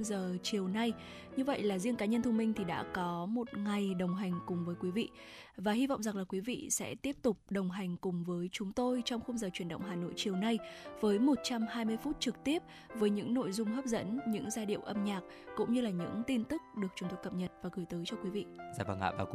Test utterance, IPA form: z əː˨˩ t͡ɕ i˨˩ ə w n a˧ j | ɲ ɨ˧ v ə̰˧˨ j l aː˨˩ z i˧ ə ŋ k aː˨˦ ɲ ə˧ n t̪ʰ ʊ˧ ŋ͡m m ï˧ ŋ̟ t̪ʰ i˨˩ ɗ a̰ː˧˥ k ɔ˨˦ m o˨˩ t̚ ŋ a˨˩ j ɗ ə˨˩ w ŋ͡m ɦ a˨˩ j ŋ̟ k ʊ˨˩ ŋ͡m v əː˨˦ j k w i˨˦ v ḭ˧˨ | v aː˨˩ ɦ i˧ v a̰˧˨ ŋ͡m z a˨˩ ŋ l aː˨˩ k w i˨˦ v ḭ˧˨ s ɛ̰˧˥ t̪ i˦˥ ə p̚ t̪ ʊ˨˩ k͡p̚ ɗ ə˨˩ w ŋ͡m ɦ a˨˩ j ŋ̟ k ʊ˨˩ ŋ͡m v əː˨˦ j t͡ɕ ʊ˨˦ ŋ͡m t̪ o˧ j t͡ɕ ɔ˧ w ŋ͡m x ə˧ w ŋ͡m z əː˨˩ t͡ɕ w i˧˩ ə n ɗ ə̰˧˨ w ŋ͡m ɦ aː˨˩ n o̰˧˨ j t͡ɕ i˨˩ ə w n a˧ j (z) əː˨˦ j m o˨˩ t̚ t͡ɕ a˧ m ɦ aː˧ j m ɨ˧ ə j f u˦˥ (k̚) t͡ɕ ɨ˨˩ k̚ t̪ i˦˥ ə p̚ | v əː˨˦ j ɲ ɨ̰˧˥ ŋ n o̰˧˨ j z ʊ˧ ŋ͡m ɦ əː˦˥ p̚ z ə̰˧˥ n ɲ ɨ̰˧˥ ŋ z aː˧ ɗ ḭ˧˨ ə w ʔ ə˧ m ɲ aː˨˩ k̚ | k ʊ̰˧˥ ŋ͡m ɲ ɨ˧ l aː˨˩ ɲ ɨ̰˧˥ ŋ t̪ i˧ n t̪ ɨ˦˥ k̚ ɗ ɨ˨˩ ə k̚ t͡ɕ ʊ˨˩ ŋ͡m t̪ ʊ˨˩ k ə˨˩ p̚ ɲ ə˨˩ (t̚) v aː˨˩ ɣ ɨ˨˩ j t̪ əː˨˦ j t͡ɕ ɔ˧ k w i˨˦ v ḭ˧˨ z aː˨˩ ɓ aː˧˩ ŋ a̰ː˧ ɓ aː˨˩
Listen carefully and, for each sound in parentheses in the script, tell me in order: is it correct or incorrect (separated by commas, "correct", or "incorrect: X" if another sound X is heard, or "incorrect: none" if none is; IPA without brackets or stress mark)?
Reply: incorrect: v, incorrect: t̚, correct